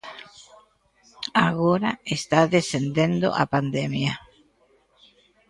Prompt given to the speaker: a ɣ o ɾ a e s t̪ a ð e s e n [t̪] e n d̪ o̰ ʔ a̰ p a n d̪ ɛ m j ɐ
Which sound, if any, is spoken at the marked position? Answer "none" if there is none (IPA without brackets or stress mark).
d̪